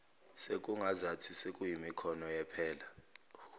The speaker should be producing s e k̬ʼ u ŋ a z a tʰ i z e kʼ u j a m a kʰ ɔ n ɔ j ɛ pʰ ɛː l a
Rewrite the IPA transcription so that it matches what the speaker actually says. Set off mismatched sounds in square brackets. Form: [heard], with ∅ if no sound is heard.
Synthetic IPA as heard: s e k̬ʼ u ŋ a z a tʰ i [s] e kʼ u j [i] m [i] kʰ ɔ n ɔ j ɛ pʰ ɛː l a